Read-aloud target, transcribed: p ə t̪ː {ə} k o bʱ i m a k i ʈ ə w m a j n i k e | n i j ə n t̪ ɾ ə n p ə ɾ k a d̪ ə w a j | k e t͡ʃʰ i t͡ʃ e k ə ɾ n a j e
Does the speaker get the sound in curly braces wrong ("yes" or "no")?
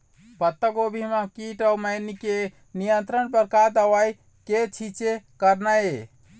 no